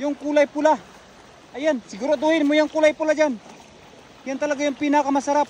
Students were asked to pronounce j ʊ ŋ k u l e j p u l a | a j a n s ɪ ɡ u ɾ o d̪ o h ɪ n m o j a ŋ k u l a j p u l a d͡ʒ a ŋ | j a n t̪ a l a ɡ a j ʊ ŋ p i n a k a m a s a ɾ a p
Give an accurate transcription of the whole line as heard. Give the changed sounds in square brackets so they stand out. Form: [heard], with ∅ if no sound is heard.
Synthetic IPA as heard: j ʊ ŋ k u l [a] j p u l a | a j a n s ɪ ɡ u ɾ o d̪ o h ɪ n m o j a ŋ k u l a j p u l a d͡ʒ a [n] | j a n t̪ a l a ɡ a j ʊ ŋ p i n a k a m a s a ɾ a p